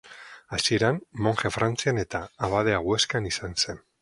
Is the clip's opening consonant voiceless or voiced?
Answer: voiceless